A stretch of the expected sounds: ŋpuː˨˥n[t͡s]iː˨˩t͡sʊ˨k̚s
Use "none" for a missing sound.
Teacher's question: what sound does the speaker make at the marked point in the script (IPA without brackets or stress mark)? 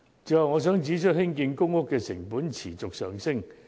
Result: t͡sʰ